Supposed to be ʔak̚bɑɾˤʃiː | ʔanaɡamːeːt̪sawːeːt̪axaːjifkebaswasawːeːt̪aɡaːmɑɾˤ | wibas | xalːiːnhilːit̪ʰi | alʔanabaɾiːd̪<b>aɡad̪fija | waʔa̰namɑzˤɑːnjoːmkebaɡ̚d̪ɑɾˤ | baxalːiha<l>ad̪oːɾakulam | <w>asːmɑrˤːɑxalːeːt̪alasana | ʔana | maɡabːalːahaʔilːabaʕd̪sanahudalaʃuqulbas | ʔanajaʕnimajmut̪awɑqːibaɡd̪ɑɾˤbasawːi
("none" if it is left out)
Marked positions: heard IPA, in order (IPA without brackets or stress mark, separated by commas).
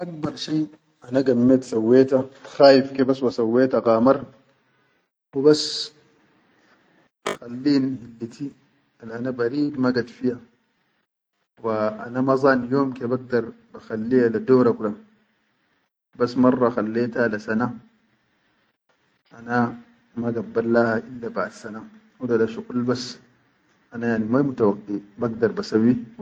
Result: m, l, b